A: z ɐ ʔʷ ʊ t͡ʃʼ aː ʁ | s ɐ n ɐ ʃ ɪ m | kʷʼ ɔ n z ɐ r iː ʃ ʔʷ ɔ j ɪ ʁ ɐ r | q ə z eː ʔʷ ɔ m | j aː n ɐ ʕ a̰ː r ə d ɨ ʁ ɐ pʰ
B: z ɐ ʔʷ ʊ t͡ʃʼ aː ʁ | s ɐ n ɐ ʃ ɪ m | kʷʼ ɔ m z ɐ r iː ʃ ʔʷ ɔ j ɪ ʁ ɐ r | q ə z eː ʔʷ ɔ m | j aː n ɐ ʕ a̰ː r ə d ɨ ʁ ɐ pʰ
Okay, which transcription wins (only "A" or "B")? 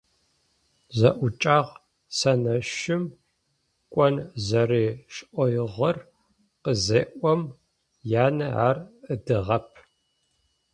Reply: A